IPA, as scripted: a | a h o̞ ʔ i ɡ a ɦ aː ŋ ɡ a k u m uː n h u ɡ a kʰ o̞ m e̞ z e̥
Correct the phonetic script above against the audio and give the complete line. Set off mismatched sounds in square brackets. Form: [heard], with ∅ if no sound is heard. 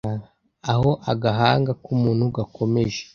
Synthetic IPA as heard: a | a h o̞ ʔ [a] ɡ a ɦ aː ŋ ɡ a k u m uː n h u ɡ a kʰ o̞ m e̞ [ʒ] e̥

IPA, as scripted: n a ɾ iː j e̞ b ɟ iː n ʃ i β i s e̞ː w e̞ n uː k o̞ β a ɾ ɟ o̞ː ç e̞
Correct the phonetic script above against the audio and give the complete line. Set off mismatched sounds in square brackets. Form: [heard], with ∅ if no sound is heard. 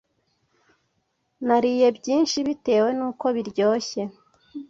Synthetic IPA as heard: n a ɾ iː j e̞ b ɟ iː n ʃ i β i [t] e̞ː w e̞ n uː k o̞ β [i] ɾ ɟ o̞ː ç e̞

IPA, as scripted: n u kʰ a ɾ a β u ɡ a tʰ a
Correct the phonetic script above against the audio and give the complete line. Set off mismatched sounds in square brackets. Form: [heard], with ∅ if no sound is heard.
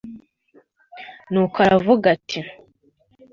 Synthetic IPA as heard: n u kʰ a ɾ a [v] u ɡ a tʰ [i]

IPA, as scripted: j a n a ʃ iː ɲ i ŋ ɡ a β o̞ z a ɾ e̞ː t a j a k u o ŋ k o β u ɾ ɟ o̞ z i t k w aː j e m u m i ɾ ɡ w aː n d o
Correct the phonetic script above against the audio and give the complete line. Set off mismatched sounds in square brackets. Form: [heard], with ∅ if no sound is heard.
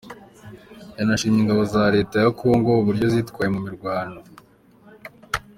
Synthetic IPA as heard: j a n a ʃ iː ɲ i ŋ ɡ a β o̞ z a ɾ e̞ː t a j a k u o ŋ [ɡ] o β u ɾ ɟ o̞ z i t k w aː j e m u m i ɾ ɡ w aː n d o

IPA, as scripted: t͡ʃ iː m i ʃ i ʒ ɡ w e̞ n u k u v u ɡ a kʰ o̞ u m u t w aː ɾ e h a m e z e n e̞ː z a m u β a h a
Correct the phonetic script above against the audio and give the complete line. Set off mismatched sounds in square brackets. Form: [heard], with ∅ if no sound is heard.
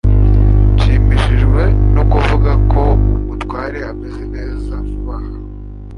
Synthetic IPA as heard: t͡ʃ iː m i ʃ i ʒ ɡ w e̞ n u k u v u ɡ a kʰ o̞ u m u t w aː ɾ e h a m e z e n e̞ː z a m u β a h a

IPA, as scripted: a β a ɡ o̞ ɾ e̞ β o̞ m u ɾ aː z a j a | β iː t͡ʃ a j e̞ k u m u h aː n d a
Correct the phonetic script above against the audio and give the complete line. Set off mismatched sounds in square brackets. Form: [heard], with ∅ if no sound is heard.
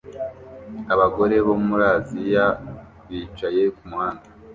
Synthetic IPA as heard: a β a ɡ o̞ ɾ e̞ β o̞ m u ɾ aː z [i] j a | β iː t͡ʃ a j e̞ k u m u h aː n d a

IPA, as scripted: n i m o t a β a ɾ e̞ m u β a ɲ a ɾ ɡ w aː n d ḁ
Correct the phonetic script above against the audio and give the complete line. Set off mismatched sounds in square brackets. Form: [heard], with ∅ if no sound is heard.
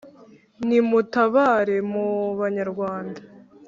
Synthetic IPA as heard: n i m [u] t a β a ɾ e̞ m u β a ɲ a ɾ ɡ w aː n d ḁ

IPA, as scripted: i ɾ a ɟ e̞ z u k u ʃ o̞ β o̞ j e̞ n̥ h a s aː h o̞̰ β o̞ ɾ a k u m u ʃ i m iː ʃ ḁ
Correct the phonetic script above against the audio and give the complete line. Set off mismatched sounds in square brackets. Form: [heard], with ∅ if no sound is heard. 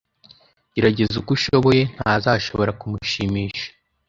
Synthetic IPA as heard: i ɾ a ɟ e̞ z u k u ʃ o̞ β o̞ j e̞ n̥ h a [z] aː [ʃ] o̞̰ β o̞ ɾ a k u m u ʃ i m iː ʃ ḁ

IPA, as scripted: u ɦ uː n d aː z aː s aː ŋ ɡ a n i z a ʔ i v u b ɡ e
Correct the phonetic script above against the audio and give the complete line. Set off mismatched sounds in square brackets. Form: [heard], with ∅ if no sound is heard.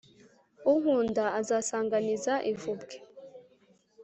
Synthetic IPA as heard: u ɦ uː n d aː z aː s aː ŋ ɡ a n i z a ʔ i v u b ɡ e

